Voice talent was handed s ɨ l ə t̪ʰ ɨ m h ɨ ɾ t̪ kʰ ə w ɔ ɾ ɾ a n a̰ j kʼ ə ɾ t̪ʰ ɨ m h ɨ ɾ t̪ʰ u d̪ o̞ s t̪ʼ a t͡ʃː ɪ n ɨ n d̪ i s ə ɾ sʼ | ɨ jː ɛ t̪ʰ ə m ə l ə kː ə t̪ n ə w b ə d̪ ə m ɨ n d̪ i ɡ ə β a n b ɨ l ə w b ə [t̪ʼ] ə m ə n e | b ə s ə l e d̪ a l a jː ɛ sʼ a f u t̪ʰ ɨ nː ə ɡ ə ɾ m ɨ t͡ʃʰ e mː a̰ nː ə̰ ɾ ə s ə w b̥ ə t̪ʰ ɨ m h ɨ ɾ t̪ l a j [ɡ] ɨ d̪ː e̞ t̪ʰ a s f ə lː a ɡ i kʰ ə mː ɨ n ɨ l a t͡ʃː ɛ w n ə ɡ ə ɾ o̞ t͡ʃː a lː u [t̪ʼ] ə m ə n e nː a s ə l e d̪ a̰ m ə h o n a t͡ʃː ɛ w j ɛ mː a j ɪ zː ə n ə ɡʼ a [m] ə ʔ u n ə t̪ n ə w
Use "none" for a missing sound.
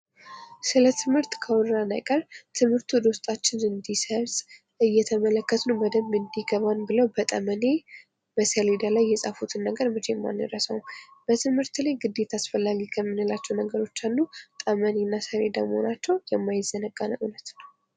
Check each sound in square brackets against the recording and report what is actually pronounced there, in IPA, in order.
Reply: t̪ʼ, ɡ, t̪ʼ, n

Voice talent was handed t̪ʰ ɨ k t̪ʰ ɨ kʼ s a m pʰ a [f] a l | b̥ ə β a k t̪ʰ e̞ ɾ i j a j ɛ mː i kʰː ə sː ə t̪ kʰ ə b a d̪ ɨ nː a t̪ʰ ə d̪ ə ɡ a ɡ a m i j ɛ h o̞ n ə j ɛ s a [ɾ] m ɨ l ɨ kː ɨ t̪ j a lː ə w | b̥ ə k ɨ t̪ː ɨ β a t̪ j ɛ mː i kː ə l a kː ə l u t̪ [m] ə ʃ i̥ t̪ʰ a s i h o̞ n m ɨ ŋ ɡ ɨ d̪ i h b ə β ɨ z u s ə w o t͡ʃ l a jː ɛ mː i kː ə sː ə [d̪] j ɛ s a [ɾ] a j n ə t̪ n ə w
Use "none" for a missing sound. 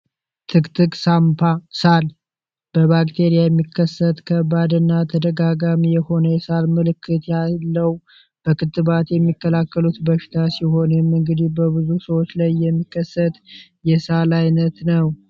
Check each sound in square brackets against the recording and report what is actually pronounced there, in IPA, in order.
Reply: s, l, b, t̪, l

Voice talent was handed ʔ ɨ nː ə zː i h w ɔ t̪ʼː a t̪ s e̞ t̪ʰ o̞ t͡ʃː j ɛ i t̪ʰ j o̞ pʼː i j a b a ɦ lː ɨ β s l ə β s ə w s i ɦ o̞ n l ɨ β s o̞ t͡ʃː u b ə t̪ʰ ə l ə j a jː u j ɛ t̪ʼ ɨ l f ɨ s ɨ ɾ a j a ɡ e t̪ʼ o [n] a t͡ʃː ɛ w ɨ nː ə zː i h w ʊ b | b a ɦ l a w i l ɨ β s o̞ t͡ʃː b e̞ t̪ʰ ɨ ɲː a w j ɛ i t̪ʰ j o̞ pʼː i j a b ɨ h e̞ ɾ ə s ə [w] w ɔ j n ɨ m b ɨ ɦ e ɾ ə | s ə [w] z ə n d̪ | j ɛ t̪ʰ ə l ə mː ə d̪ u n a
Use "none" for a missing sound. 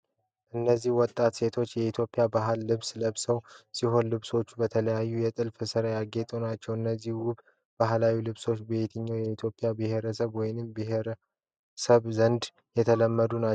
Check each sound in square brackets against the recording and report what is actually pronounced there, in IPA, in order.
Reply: n, β, β

